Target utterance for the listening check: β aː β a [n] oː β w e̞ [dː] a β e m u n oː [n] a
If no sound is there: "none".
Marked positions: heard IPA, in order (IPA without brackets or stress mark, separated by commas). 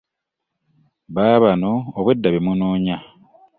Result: n, dː, ɲ